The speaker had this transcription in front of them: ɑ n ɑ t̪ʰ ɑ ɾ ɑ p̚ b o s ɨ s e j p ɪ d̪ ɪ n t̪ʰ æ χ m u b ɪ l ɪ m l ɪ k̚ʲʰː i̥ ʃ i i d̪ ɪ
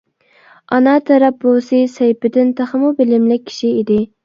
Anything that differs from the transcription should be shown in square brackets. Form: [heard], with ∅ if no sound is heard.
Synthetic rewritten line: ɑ n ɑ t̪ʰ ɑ ɾ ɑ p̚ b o s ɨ s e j p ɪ d̪ ɪ n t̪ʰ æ χ m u b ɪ l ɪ m l ɪ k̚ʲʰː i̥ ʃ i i d̪ ɪ